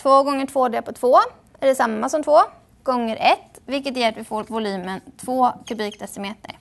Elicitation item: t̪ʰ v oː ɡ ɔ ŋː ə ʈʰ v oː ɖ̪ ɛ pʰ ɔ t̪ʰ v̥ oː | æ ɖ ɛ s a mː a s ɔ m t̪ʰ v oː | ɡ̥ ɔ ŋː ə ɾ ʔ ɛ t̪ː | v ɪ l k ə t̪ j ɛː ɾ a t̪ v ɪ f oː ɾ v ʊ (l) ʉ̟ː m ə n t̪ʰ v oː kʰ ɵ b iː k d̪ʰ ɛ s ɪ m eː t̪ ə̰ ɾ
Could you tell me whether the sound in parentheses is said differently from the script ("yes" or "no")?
no